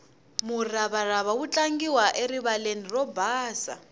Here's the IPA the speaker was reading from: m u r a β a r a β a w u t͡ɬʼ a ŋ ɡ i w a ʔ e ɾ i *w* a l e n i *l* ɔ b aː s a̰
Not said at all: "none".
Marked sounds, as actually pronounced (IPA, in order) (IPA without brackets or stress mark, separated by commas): β, r